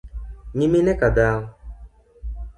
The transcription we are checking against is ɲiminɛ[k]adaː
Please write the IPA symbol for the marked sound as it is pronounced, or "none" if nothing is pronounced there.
k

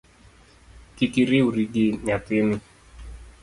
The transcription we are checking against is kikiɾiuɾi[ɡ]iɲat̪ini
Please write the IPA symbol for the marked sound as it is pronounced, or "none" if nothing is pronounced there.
ɡ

